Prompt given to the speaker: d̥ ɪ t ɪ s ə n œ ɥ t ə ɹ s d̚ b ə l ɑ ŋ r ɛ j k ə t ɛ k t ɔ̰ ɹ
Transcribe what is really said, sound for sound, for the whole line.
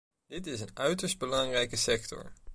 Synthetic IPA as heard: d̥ ɪ t ɪ s ə n œ ɥ t ə ɹ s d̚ b ə l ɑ ŋ r ɛ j k ə s ɛ k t ɔ̰ ɹ